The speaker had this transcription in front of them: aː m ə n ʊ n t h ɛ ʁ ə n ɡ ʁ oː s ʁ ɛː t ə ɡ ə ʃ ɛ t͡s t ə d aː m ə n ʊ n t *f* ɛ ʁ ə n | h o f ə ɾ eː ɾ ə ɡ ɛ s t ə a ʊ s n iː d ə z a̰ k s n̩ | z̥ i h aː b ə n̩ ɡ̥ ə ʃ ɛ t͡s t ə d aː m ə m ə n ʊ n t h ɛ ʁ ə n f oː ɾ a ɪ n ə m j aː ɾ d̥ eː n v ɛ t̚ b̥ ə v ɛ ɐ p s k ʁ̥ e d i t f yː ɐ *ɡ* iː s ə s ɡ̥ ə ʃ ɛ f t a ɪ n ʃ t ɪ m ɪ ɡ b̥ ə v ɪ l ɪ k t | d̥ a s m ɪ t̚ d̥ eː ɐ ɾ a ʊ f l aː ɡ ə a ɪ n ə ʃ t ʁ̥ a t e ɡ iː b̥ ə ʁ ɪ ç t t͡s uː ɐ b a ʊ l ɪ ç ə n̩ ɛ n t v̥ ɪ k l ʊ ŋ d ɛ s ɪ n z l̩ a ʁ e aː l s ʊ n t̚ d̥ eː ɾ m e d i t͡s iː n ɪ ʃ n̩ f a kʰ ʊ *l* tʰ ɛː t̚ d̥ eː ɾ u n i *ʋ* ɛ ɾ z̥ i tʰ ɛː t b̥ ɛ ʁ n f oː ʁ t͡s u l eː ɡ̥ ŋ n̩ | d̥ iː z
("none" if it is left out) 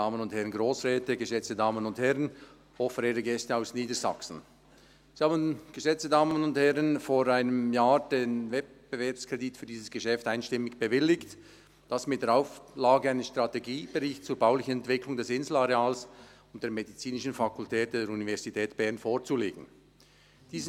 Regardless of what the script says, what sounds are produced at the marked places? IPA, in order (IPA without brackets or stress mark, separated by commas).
h, d, l, v